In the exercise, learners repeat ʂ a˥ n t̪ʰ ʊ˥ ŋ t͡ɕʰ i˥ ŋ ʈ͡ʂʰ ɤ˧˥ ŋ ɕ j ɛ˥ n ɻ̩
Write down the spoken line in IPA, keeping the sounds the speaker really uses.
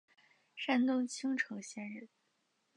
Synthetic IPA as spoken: ʂ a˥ n t̪ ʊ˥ ŋ t͡ɕʰ i˥ ŋ ʈ͡ʂʰ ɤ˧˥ ŋ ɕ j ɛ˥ n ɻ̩